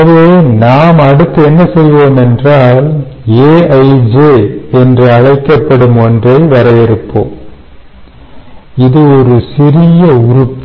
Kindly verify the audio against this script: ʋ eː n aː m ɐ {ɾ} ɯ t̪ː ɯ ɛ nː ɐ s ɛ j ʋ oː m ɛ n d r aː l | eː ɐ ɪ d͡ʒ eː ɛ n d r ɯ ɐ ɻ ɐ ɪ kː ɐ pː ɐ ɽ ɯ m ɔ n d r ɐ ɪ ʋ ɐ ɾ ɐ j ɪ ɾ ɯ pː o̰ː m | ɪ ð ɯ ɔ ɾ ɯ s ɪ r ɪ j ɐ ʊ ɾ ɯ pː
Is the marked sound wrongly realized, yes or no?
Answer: yes